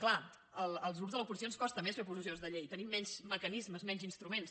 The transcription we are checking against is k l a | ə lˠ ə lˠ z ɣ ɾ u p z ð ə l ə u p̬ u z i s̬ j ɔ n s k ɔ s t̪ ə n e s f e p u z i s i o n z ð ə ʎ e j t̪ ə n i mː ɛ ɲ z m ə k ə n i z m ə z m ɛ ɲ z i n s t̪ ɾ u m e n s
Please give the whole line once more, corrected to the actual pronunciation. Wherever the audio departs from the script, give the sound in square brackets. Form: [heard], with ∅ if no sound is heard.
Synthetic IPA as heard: k l a | ə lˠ ə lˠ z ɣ ɾ u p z ð ə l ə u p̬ u z i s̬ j [o] n s k ɔ s t̪ ə [m] e s f e p u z i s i o n z ð ə ʎ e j t̪ ə n i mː ɛ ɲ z m ə k ə n i z m ə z m ɛ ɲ z i n s t̪ ɾ u m e n s